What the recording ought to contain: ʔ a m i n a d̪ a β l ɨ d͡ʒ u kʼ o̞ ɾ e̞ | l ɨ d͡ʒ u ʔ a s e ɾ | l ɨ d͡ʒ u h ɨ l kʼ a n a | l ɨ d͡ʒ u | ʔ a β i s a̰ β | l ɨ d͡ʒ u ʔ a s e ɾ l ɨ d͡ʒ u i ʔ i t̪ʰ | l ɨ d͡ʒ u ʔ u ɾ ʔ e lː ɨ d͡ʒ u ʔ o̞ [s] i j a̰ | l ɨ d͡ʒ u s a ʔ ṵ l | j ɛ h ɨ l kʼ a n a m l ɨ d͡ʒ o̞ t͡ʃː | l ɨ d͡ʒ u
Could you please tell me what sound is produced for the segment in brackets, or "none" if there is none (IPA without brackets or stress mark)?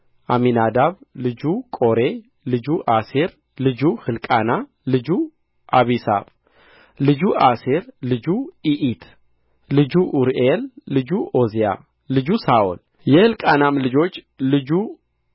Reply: z